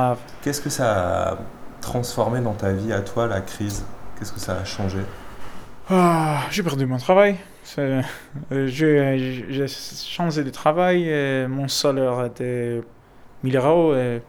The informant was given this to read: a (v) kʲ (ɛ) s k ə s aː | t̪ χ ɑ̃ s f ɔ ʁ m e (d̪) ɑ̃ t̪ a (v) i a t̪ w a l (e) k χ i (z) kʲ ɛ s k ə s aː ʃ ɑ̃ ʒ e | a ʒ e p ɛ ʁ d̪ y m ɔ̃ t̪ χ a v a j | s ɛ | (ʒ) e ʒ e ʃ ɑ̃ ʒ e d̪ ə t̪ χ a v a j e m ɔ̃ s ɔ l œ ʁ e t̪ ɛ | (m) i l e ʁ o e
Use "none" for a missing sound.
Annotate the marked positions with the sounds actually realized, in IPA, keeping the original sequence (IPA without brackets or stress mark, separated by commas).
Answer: v, ɛ, d̪, v, a, z, ʒ, m